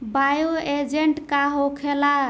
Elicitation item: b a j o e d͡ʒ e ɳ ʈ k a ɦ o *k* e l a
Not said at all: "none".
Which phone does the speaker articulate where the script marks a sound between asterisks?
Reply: kʰ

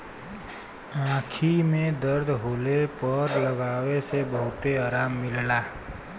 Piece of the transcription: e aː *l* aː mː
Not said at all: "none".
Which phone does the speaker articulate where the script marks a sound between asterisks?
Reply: ɾ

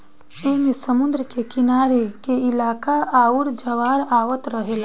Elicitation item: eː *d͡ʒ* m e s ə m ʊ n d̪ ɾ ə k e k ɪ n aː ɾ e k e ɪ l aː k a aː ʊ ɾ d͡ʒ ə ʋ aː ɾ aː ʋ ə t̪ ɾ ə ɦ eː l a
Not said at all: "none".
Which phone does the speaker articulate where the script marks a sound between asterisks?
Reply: none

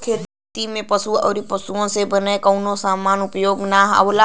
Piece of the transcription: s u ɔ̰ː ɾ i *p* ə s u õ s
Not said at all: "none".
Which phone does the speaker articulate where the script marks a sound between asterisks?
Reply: p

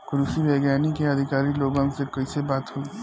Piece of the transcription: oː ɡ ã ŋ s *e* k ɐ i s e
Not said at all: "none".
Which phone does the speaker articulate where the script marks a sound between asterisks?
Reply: e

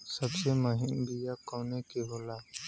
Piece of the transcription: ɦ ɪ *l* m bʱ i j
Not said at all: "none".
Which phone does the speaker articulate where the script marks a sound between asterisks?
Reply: none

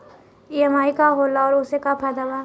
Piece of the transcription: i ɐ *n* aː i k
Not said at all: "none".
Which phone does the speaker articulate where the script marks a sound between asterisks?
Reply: m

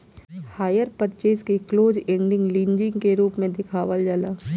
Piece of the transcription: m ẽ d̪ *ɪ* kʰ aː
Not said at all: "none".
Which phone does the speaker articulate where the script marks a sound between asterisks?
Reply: ɪ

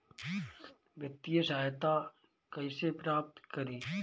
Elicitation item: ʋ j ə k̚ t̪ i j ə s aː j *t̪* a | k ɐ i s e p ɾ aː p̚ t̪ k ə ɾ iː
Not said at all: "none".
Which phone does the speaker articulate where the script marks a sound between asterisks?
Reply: t̪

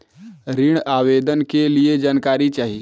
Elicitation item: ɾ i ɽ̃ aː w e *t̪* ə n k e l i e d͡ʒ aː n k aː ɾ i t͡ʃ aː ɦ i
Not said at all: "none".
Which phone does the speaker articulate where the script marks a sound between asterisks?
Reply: d̪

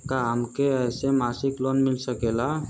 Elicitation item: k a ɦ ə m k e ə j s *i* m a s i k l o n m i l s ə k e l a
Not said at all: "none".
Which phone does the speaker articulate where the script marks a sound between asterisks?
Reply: e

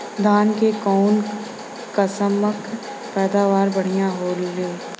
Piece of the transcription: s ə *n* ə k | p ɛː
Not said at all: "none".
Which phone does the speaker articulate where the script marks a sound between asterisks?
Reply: m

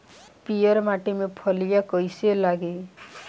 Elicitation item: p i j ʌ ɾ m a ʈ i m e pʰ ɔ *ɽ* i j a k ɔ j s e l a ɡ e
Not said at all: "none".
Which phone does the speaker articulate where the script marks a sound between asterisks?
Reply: l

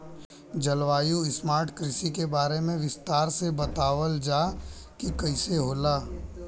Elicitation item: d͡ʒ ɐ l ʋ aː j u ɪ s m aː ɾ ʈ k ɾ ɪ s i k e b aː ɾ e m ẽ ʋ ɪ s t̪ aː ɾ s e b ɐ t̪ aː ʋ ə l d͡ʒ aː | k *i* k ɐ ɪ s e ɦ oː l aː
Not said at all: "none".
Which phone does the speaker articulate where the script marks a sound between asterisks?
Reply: i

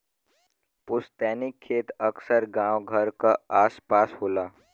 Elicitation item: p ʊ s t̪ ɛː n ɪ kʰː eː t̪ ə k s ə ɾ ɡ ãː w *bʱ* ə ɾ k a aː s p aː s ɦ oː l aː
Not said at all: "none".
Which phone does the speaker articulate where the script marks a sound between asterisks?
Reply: ɡʱ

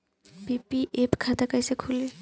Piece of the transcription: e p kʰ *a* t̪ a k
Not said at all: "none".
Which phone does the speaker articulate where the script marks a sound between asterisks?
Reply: a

